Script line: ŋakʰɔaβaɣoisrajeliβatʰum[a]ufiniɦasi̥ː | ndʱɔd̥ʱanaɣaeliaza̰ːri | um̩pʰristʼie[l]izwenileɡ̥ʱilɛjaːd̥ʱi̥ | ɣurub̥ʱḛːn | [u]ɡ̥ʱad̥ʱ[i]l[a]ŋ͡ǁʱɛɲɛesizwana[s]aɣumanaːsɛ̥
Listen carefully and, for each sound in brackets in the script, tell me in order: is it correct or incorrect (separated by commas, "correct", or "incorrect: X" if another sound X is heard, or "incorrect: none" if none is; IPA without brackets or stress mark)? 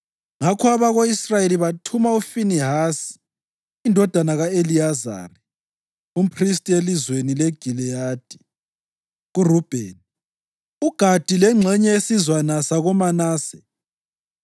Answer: correct, correct, correct, correct, incorrect: ɛ, correct